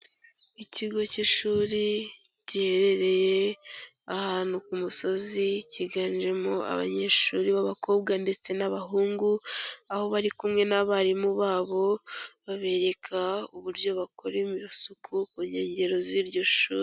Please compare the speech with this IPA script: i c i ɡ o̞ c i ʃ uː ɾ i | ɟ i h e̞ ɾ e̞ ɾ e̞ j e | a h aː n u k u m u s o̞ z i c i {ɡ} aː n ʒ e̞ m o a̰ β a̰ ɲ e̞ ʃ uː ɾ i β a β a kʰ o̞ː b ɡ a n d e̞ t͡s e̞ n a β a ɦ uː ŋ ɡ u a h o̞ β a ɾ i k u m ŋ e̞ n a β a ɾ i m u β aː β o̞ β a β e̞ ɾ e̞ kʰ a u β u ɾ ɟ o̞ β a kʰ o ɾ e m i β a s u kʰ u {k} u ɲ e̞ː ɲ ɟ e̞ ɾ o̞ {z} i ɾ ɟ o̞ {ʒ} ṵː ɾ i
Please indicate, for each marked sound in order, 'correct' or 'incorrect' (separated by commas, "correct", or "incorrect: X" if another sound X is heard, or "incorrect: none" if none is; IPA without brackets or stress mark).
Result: correct, correct, correct, incorrect: ʃ